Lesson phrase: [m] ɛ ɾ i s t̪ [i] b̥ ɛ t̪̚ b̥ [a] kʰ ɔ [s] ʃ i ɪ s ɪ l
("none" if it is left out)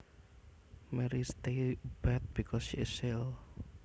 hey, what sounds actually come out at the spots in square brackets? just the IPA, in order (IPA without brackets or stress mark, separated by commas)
m, e, i, s